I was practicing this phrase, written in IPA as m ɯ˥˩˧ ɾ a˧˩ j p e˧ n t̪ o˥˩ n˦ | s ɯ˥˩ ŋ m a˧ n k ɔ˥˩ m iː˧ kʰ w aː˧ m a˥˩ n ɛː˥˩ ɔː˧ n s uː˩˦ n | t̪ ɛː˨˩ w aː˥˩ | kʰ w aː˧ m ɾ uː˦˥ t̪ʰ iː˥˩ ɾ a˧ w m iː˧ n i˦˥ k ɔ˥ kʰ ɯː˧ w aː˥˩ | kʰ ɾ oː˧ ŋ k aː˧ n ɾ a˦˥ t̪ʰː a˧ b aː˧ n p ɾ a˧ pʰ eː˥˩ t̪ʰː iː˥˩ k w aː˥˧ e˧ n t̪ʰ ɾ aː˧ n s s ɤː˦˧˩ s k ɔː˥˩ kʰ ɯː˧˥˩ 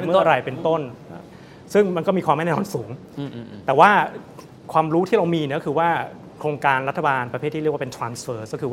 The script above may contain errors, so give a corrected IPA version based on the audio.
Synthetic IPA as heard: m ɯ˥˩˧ ɾ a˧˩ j p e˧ n t̪ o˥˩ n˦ | s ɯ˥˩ ŋ m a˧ n k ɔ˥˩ m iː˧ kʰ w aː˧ m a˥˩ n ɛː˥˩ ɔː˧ n s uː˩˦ ŋ | t̪ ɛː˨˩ w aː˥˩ | kʰ w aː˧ m ɾ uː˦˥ t̪ʰ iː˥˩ ɾ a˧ w m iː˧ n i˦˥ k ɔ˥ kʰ ɯː˧ w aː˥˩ | kʰ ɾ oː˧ ŋ k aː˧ n ɾ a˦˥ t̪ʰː a˧ b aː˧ n p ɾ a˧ pʰ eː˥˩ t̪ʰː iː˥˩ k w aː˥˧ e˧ n t̪ʰ ɾ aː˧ n s f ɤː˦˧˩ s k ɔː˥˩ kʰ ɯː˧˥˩